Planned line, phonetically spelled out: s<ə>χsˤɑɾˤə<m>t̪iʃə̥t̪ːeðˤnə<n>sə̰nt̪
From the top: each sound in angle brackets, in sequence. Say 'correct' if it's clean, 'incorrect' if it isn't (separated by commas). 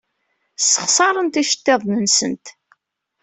correct, incorrect, correct